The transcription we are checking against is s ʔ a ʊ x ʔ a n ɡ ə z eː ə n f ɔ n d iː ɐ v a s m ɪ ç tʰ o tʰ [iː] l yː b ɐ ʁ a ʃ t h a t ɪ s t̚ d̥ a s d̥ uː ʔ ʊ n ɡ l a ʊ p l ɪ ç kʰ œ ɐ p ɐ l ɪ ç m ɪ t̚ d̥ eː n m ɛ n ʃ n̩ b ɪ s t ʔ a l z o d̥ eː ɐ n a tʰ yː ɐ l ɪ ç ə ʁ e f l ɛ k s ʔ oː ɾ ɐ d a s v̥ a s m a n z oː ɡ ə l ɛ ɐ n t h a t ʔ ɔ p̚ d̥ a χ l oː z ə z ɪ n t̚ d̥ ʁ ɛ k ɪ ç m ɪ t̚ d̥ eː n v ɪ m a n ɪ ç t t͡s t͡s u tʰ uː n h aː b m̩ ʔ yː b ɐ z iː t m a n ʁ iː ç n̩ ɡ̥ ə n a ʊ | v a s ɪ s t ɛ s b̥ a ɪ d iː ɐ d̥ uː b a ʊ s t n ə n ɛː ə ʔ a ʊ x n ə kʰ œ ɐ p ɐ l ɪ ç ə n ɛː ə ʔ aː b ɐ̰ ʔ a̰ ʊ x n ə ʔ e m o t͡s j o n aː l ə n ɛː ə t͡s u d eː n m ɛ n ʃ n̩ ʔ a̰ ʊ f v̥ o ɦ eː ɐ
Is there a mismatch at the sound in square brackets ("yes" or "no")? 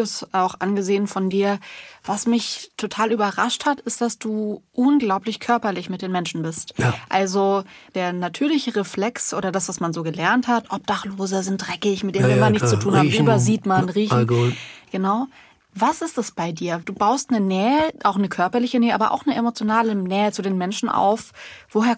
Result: yes